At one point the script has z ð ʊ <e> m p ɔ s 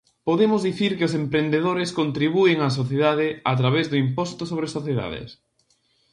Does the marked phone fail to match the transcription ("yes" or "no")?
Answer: yes